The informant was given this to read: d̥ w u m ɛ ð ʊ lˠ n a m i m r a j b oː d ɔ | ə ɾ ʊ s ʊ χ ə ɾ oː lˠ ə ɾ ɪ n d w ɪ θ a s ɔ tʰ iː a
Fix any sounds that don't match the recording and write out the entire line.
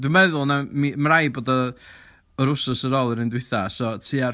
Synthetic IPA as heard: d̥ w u m ɛ ð ʊ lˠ n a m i m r a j b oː d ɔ | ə ɾ ʊ s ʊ s ə ɾ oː lˠ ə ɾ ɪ n d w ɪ θ a s ɔ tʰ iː a